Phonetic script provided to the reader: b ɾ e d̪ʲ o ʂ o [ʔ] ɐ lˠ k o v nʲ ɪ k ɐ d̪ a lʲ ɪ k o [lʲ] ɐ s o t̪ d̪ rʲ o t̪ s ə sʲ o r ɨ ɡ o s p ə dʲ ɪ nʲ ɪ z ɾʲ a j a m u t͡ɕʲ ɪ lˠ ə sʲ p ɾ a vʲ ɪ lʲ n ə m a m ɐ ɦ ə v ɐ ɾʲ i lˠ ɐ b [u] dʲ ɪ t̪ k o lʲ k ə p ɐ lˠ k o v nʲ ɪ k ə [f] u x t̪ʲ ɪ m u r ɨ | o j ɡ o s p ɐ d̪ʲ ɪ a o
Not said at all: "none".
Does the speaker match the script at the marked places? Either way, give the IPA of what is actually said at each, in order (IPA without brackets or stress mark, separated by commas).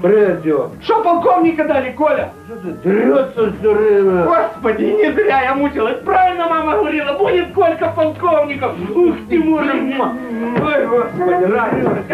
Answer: p, lʲ, u, f